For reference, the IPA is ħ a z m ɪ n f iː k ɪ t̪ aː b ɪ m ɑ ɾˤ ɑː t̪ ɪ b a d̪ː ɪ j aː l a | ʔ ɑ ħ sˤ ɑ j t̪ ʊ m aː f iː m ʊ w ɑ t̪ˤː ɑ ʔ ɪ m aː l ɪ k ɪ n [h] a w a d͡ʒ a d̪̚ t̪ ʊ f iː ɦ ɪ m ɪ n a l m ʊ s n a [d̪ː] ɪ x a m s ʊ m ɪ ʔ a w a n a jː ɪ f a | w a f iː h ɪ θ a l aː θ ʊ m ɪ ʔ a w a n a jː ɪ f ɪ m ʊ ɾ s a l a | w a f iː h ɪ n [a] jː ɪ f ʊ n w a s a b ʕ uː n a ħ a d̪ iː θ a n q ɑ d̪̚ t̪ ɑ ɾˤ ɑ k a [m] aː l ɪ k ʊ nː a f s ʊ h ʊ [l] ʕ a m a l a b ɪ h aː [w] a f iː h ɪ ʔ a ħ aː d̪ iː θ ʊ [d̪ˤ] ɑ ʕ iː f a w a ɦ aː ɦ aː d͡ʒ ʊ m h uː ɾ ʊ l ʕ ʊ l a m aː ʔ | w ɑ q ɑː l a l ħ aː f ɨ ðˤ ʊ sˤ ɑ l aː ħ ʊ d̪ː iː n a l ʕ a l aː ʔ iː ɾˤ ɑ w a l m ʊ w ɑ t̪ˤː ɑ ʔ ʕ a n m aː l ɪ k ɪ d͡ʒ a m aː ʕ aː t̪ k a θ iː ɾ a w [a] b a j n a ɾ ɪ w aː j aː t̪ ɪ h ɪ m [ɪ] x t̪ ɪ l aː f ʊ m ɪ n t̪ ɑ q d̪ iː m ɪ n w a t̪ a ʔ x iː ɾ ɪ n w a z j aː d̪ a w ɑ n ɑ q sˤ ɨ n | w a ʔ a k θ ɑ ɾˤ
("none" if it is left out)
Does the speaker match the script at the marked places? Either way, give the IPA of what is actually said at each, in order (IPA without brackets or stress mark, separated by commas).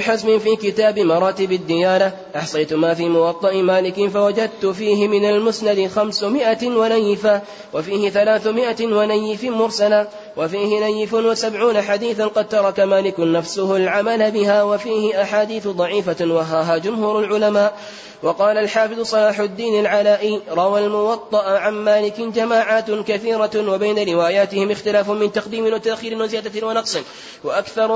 f, d̪, a, m, l, w, d̪ˤ, a, ɪ